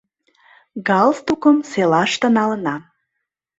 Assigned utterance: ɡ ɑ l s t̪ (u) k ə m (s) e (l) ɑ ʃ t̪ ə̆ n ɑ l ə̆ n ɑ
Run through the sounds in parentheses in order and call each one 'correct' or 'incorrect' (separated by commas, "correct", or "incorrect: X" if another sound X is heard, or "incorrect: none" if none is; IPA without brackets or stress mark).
correct, correct, correct